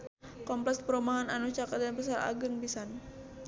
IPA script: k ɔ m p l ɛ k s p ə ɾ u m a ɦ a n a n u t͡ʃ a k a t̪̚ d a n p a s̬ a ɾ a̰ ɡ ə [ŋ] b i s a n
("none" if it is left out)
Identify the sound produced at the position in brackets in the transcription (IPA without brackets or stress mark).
ŋ